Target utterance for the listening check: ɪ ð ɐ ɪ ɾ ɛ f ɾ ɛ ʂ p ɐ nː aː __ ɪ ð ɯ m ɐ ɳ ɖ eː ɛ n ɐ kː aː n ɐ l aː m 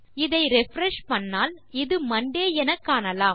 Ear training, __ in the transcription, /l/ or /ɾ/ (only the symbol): l